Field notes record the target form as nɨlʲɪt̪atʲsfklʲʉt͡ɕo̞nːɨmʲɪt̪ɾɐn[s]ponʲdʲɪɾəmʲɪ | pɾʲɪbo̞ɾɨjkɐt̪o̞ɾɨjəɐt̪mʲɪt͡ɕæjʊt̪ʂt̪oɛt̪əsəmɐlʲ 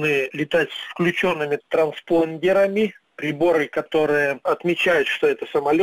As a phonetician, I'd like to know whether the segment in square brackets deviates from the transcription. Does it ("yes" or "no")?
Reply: no